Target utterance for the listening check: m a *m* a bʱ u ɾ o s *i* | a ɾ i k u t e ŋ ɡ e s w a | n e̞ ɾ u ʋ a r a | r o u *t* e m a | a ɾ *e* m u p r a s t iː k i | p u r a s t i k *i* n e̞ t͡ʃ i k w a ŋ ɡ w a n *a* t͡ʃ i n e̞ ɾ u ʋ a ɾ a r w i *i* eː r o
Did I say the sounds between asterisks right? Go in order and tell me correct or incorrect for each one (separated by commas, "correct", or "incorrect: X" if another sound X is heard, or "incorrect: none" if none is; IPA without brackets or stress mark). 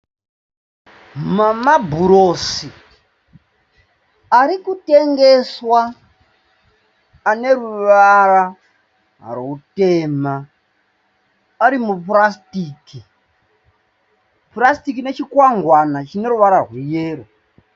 correct, correct, correct, incorrect: i, correct, correct, incorrect: j